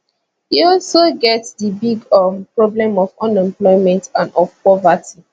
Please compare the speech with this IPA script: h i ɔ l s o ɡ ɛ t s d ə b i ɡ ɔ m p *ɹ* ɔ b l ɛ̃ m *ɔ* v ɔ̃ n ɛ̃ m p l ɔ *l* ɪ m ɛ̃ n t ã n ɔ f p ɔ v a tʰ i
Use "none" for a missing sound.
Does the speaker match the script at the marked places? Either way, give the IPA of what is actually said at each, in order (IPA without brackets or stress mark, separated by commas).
ɹ, ɔ, none